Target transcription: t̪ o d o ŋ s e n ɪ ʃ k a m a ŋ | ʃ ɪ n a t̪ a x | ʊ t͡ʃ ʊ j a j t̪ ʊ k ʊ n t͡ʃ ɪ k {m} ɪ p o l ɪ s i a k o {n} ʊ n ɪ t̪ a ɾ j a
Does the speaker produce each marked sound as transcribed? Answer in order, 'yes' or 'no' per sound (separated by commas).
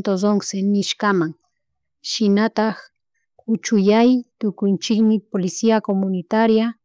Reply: yes, no